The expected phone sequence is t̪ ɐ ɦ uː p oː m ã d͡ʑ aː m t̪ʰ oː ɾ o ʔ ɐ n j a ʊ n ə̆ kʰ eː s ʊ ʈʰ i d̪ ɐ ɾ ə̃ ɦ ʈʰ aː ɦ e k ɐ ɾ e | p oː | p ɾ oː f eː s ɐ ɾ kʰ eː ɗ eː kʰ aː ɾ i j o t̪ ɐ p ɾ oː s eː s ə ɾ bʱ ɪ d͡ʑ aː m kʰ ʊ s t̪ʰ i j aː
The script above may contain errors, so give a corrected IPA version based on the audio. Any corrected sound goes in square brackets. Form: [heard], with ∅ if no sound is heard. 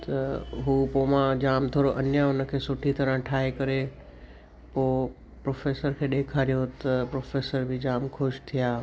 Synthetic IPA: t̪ ɐ ɦ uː p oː m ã d͡ʑ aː m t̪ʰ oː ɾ o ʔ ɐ n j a ʊ n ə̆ kʰ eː s ʊ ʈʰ i [t̪] ɐ ɾ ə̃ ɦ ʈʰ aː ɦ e k ɐ ɾ e | p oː | p ɾ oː f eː s [ə] ɾ kʰ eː ɗ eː kʰ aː ɾ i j o t̪ ɐ p ɾ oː [f] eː s ə ɾ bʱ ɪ d͡ʑ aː m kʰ ʊ [ʃ] t̪ʰ i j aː